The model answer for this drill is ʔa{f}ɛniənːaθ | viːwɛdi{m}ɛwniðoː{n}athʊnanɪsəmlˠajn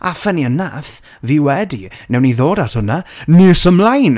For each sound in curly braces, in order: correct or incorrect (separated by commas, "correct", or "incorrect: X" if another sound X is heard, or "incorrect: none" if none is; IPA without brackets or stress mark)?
correct, incorrect: n, incorrect: d